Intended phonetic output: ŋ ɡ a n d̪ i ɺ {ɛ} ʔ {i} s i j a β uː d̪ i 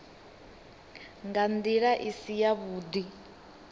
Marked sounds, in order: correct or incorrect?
incorrect: a, correct

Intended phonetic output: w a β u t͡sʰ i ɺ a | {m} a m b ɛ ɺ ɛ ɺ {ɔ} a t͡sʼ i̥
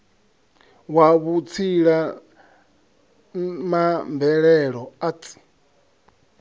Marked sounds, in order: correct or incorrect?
correct, correct

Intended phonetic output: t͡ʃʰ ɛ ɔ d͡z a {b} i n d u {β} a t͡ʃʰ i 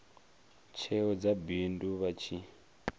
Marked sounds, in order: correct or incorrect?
correct, correct

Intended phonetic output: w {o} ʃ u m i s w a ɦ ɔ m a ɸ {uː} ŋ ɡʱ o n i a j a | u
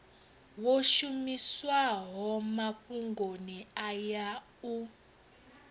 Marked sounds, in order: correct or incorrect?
correct, incorrect: u

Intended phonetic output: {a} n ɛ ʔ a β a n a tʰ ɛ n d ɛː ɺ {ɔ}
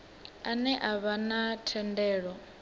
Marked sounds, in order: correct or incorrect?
correct, correct

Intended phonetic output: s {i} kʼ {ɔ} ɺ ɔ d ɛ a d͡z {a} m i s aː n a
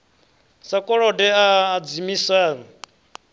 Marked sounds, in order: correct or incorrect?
incorrect: a, correct, incorrect: i

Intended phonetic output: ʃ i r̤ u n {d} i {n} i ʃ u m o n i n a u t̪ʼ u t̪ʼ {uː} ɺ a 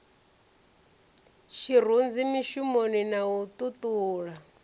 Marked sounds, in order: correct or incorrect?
incorrect: d͡z, incorrect: m, correct

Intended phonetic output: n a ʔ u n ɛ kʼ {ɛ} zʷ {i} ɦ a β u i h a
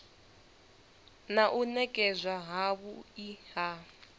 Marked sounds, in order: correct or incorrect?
correct, incorrect: a

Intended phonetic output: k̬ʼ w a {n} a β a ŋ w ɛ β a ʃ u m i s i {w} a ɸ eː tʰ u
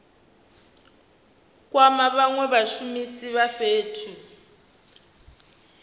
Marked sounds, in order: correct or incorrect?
incorrect: m, incorrect: β

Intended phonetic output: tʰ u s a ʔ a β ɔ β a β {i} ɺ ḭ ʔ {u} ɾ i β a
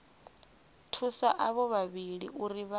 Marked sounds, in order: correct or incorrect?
correct, correct

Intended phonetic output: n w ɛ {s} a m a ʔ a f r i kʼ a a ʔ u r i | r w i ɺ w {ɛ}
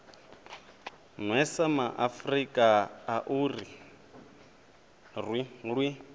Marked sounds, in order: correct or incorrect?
correct, incorrect: i

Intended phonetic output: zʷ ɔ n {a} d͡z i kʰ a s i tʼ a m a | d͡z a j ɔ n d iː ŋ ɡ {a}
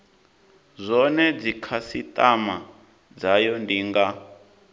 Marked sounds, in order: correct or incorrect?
incorrect: ɛ, correct

